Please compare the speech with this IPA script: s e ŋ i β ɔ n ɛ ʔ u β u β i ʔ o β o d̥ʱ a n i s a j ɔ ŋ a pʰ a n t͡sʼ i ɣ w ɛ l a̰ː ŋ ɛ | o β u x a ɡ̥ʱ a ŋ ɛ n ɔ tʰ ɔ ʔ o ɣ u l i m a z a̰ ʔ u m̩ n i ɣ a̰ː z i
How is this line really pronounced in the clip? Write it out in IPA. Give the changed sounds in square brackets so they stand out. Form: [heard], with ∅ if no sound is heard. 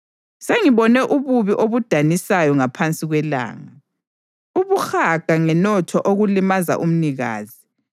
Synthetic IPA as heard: s e ŋ i β ɔ n ɛ ʔ u β u β i ʔ o β [u] d̥ʱ a n i s a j ɔ ŋ a pʰ a n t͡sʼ i ɣ w ɛ l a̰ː ŋ [a] | [u] β u x a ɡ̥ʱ a ŋ ɛ n ɔ tʰ ɔ ʔ o ɣ u l i m a z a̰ ʔ u m̩ n i ɣ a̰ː z i